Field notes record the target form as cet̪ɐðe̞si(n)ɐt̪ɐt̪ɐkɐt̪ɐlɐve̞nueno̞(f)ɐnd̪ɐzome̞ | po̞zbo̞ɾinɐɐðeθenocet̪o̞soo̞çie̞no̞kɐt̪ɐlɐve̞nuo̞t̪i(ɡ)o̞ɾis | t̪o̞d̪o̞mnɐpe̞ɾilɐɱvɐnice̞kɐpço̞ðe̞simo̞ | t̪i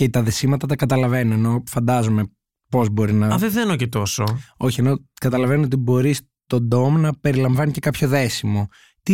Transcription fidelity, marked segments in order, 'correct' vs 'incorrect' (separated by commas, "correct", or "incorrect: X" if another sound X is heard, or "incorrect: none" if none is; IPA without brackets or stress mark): incorrect: m, correct, incorrect: b